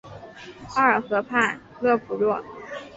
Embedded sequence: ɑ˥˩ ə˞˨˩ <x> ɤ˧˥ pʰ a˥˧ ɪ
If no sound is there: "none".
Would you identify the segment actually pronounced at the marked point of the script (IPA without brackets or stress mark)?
x